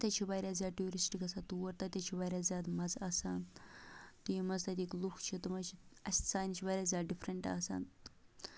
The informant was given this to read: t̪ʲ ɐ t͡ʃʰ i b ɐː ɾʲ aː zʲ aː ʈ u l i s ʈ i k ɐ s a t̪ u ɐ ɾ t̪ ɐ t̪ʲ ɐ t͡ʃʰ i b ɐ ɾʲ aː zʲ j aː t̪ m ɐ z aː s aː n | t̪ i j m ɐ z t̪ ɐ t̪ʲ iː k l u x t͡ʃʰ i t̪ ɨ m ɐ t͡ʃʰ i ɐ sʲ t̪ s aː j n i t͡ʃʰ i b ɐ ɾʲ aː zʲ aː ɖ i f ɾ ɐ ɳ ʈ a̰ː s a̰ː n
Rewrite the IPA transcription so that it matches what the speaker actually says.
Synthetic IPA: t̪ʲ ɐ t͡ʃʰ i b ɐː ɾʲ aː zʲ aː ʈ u ɾ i s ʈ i k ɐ s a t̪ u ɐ ɾ t̪ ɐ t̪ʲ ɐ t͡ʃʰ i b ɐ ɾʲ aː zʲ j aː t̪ m ɐ z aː s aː n | t̪ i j m ɐ z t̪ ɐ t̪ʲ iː k l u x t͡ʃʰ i t̪ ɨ m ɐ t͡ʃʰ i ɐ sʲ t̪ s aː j n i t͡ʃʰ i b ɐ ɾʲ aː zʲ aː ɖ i f ɾ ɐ ɳ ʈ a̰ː s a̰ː n